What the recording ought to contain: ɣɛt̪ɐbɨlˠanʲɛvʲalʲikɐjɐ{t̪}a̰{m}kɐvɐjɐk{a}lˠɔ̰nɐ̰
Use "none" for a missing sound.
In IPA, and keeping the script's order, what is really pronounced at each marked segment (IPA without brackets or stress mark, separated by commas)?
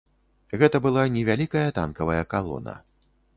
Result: t̪, n, a